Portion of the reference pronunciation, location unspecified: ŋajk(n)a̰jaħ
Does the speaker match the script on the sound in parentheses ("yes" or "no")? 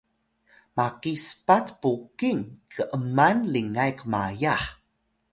no